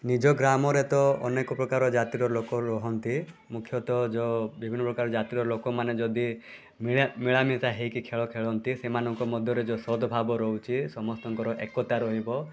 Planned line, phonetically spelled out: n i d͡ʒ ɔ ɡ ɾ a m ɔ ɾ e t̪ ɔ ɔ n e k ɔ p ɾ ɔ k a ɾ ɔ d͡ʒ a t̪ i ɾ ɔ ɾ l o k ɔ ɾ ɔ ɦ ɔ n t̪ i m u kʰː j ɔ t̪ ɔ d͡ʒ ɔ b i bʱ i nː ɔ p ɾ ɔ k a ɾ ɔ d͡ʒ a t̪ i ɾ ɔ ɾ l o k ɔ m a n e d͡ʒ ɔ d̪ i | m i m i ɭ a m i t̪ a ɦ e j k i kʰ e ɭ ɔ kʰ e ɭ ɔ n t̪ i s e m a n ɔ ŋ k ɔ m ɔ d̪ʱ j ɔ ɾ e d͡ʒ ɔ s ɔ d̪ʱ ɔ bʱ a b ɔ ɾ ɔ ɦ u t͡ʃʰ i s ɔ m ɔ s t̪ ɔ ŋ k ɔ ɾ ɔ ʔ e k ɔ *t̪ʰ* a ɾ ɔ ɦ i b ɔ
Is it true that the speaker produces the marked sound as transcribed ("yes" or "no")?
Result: no